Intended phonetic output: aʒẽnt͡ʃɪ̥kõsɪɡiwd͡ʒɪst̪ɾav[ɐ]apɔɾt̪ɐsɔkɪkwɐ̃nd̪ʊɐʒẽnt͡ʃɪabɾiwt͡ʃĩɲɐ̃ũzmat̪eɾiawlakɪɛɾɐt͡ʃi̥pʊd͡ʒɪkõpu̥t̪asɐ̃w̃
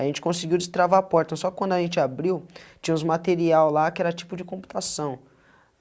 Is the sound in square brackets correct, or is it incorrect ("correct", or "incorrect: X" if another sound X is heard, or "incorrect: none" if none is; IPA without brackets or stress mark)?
incorrect: a